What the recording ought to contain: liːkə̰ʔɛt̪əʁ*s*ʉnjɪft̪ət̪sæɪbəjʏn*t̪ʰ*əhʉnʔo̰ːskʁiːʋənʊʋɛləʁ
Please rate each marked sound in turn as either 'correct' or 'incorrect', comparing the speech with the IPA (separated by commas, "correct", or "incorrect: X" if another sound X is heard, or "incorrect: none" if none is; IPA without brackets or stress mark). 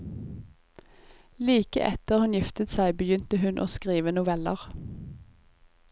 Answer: incorrect: h, incorrect: t̪